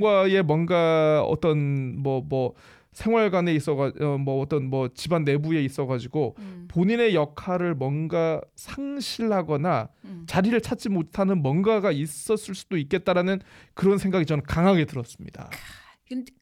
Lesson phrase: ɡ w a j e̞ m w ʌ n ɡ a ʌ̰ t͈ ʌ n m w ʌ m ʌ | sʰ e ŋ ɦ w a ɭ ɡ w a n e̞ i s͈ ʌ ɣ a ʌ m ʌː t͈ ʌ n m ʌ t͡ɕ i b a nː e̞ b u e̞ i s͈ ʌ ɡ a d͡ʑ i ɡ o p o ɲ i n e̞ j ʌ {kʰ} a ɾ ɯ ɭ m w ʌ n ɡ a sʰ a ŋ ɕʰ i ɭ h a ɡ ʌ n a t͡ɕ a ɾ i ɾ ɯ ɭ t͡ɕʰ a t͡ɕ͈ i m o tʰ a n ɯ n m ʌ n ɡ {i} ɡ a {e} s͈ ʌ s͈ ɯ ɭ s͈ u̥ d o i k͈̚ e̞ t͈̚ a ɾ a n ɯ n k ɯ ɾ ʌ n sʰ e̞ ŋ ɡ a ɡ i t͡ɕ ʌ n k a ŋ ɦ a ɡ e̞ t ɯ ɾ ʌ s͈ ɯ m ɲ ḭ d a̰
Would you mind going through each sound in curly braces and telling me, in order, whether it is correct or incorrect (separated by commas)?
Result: correct, incorrect, incorrect